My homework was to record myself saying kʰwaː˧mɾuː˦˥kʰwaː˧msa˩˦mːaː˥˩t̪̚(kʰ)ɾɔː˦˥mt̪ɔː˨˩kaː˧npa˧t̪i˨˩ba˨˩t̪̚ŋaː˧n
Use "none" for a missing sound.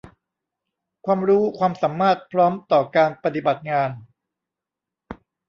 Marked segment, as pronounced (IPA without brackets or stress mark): pʰ